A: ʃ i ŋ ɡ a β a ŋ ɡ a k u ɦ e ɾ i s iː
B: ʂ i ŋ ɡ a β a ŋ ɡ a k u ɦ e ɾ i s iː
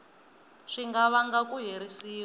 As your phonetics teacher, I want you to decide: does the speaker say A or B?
B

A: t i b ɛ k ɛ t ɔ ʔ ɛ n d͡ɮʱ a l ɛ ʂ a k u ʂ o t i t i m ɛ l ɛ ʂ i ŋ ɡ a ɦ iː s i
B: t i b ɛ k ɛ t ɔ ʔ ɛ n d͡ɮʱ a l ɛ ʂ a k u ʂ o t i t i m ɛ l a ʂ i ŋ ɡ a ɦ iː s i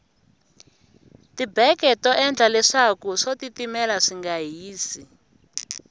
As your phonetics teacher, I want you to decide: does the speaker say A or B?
B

